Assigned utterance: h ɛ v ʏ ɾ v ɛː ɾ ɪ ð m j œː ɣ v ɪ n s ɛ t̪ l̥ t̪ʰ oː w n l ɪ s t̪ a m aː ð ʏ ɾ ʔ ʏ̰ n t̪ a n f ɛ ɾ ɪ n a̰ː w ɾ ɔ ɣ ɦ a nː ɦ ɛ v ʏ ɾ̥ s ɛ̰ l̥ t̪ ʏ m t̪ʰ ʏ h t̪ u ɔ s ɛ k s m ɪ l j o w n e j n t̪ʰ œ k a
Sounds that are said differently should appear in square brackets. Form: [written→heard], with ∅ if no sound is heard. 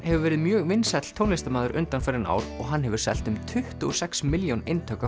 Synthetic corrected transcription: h ɛ v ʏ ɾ v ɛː ɾ ɪ ð m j œː ɣ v ɪ n s ɛ t̪ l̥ t̪ʰ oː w n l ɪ s t̪ a m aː ð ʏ ɾ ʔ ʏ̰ n t̪ a n f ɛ ɾ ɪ n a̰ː w ɾ ɔ ɣ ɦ a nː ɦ ɛ v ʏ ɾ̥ s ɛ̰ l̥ t̪ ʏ m t̪ʰ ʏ h t̪ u ɔ s ɛ k s m ɪ l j o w n e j n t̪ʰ œ k a